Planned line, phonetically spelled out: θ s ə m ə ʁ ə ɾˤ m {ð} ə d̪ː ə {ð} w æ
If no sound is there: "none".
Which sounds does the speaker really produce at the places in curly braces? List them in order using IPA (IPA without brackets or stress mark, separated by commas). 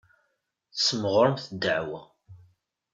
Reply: θ, ʕ